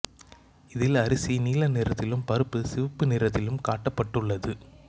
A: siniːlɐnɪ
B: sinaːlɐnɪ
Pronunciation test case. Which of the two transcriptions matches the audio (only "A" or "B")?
A